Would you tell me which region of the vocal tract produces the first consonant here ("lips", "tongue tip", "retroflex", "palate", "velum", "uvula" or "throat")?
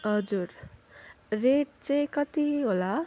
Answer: throat